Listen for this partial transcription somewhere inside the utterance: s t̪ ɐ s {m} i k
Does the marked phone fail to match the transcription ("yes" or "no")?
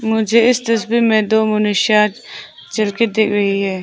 yes